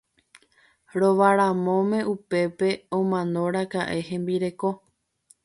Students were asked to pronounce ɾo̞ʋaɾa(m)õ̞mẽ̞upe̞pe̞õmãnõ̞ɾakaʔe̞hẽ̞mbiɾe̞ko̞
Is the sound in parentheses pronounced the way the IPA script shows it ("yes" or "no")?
yes